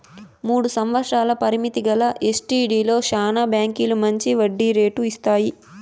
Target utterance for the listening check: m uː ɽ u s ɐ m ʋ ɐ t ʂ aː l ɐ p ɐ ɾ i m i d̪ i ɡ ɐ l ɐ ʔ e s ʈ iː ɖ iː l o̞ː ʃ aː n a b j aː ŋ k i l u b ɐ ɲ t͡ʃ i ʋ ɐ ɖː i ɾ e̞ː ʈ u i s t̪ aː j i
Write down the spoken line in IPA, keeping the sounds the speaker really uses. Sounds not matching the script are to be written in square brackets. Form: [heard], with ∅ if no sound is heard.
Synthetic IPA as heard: m uː ɽ u s ɐ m ʋ ɐ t ʂ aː l ɐ p ɐ ɾ i m i [t̪] i ɡ ɐ l ɐ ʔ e s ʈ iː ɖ iː l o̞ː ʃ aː n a b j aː ŋ k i l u [m] ɐ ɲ t͡ʃ i ʋ ɐ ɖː i ɾ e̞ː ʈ u i s t̪ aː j i